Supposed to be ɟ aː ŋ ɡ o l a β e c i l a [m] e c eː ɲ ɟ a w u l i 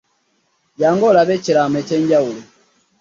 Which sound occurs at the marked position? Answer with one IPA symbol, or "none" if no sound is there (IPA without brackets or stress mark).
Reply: m